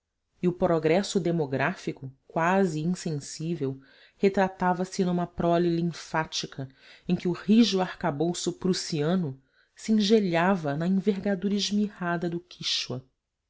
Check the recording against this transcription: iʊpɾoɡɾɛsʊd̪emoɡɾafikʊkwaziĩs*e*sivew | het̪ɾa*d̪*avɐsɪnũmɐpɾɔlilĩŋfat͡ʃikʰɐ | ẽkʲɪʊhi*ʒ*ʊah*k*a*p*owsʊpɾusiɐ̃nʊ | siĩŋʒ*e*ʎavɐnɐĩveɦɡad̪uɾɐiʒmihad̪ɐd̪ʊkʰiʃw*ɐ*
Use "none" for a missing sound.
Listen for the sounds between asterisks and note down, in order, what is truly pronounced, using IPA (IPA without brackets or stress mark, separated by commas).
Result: ẽ, t̪, ʒ, k, b, e, ɐ